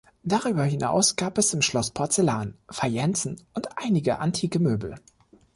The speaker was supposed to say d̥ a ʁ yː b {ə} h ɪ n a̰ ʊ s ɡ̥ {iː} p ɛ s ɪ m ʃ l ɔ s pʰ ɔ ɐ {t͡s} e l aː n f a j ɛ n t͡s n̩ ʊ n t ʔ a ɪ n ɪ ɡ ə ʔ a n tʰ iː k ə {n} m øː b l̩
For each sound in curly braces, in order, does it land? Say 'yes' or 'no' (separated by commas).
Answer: no, no, yes, no